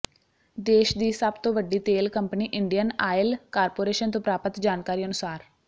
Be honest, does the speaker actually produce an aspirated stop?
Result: no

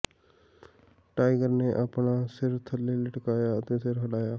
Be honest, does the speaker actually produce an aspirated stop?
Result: yes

